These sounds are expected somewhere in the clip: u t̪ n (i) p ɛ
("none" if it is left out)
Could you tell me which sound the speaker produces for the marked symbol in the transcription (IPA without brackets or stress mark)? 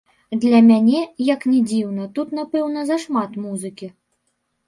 a